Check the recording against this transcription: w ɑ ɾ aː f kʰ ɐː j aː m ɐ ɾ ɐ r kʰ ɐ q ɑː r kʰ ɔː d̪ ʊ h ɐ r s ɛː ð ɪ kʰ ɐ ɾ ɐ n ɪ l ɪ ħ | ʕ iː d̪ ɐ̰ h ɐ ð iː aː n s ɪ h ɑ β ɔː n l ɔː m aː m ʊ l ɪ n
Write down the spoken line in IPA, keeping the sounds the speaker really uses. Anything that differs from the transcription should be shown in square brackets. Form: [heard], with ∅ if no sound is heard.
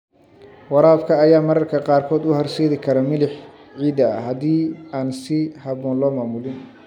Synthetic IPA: w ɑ ɾ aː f kʰ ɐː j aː m ɐ ɾ ɐ r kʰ ɐ q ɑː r kʰ ɔː d̪ ʊ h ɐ r s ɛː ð ɪ kʰ ɐ ɾ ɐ [m] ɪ l ɪ ħ | ʕ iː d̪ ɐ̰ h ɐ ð iː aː n s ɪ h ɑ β ɔː n l ɔː m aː m ʊ l ɪ n